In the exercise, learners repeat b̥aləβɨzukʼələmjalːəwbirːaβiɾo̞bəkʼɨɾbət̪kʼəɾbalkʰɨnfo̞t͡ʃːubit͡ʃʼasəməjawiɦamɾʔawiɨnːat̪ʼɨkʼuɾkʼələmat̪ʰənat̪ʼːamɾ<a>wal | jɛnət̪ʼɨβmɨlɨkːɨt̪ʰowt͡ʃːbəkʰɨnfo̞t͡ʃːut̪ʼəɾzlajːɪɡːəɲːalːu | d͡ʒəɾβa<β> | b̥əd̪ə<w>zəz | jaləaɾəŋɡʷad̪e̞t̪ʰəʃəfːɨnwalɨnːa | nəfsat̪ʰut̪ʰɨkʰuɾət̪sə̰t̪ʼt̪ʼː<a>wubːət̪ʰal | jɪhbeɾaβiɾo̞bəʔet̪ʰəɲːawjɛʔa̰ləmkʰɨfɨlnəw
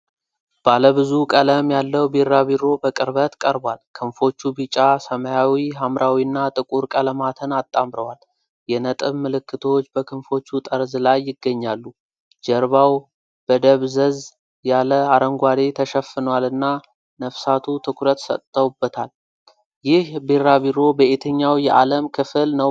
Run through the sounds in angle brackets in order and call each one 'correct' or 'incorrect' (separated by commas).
incorrect, incorrect, incorrect, incorrect